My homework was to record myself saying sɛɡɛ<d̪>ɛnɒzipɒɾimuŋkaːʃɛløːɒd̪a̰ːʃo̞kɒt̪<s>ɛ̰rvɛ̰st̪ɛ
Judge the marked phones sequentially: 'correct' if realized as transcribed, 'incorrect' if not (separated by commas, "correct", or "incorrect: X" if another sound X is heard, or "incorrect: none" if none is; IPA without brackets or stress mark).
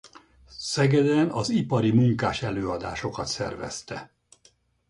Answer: correct, correct